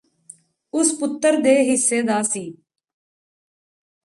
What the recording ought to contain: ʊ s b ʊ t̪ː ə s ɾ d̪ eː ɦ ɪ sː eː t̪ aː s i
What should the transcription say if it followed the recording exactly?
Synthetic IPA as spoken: ʊ s p ʊ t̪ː ə ɾ d̪ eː ɦ ɪ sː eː d̪ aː s iː